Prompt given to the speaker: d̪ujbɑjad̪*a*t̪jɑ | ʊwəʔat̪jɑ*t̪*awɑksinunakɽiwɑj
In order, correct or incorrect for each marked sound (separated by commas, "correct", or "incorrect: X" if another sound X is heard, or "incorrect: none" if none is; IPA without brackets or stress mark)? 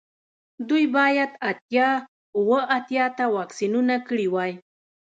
correct, correct